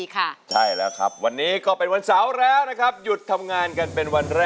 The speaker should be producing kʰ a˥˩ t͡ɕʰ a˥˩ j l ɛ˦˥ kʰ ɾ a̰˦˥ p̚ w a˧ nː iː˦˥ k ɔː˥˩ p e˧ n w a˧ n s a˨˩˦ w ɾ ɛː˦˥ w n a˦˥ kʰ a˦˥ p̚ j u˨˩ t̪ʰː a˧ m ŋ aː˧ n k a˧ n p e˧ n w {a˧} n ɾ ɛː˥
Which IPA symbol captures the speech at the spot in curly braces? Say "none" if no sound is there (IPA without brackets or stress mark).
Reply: a˧